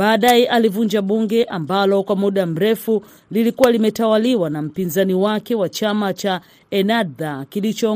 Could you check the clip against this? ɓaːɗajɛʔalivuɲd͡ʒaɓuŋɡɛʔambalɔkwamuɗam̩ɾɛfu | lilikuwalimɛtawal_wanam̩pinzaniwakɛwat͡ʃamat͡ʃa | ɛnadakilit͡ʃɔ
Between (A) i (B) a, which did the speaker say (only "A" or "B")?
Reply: A